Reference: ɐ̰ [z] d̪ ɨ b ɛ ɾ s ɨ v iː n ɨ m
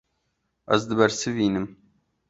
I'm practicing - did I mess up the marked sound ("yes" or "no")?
no